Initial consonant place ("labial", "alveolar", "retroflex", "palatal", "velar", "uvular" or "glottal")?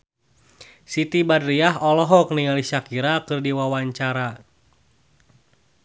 alveolar